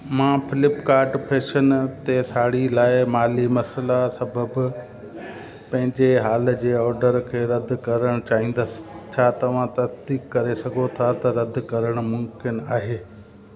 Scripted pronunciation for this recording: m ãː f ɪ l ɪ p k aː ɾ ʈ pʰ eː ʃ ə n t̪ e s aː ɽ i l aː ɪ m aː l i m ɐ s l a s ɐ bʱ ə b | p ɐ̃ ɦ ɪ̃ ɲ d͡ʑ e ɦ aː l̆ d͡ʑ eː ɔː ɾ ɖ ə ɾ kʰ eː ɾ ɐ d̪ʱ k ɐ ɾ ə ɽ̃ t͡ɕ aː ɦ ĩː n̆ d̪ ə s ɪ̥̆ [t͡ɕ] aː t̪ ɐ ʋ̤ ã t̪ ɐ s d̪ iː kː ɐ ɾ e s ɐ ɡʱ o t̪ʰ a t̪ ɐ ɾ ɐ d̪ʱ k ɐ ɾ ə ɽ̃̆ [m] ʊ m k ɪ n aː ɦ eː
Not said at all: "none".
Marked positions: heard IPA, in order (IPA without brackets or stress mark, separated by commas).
t͡ɕʰ, m